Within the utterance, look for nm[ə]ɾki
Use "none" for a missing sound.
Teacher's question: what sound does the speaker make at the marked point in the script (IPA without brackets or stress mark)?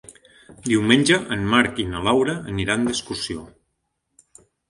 a